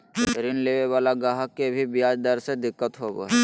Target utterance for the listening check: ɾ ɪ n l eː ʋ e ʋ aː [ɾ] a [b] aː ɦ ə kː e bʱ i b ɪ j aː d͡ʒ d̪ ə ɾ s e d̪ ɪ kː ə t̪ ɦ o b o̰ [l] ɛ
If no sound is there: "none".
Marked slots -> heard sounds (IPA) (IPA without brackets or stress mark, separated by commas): l, ɡ, none